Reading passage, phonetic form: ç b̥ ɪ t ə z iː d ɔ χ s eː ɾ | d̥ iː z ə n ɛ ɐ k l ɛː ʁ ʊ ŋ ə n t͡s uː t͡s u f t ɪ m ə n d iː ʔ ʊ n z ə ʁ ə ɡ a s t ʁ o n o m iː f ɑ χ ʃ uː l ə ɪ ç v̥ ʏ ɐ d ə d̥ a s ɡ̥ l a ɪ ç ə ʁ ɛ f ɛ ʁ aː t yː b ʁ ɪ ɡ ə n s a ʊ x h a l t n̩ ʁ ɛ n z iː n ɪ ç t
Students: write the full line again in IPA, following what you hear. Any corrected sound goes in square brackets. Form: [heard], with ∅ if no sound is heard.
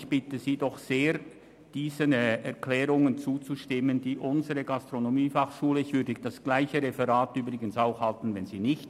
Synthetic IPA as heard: ç b̥ ɪ t ə z iː d ɔ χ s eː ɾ | d̥ iː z ə n ɛ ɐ k l ɛː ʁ ʊ ŋ ə n t͡s uː t͡s u [ʃ] t ɪ m ə n d iː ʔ ʊ n z ə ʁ ə ɡ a s t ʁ o n o m iː f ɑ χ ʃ uː l ə ɪ ç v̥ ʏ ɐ d ə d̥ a s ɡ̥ l a ɪ ç ə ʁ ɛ f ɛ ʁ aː t yː b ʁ ɪ ɡ ə n s a ʊ x h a l t n̩ [v] ɛ n z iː n ɪ ç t